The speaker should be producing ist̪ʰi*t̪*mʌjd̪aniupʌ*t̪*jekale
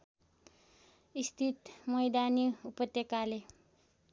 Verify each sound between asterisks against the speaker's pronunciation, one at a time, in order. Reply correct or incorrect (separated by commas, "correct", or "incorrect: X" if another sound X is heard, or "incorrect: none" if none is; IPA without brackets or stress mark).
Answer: correct, correct